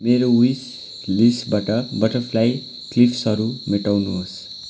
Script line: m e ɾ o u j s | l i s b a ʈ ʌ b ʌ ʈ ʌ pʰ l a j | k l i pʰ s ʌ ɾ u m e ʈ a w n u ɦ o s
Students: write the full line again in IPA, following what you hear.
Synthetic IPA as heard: m e ɾ o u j s | l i s b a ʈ ʌ b ʌ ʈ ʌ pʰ l a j | k l i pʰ s ʌ ɾ u m e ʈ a w n u ɦ o s